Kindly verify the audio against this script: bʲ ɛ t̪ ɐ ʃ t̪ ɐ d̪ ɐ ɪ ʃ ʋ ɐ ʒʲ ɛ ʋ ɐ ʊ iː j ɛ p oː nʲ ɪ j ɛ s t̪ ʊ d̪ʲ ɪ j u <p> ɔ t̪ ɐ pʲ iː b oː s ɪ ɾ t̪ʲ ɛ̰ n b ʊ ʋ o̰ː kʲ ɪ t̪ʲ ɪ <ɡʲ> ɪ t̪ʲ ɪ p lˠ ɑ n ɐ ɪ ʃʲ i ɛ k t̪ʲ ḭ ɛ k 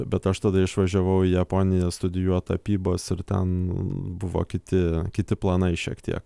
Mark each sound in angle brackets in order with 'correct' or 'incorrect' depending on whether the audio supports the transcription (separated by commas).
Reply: incorrect, incorrect